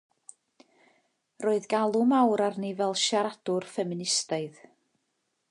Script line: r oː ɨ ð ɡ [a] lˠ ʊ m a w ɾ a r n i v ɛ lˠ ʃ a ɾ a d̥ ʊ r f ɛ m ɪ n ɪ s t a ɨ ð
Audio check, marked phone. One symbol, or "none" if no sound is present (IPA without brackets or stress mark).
a